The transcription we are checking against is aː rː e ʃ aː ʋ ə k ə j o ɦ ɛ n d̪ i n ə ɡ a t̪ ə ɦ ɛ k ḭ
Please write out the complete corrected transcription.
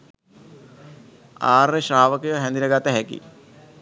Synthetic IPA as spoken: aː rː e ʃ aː ʋ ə k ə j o ɦ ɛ n d̪ i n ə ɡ a t̪ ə ɦ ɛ k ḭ

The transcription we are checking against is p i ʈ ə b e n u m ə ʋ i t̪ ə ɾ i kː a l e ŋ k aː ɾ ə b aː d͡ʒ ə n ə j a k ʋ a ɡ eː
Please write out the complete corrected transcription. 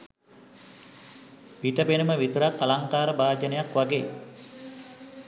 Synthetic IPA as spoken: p i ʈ ə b e n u m ə ʋ i t̪ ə ɾ a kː a l a ŋ k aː ɾ ə b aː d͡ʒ ə n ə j a k ʋ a ɡ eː

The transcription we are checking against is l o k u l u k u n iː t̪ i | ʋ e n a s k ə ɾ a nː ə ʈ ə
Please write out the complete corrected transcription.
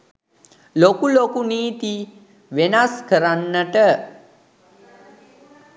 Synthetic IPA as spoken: l o k u l o k u n iː t̪ i | ʋ e n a s k ə ɾ a nː ə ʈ ə

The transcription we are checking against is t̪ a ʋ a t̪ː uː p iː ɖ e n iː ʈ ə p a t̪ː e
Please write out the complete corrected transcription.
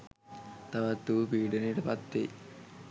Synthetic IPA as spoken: t̪ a ʋ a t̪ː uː p iː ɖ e n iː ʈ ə p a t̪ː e

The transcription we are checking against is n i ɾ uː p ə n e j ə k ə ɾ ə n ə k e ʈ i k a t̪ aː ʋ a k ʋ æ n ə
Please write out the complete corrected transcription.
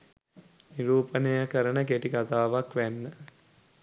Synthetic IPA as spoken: n i ɾ uː p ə n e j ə k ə ɾ ə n ə k e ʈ i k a t̪ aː ʋ a k ʋ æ nː ə

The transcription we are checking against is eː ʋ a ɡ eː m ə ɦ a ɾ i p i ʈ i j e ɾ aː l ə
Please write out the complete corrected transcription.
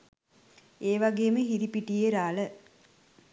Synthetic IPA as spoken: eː ʋ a ɡ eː m ə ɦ i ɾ i p i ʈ i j e ɾ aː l ə

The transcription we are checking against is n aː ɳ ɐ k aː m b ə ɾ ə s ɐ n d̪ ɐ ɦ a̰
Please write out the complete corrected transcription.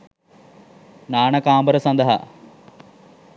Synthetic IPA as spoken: n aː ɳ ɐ k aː m b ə ɾ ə s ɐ n d̪ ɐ ɦ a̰

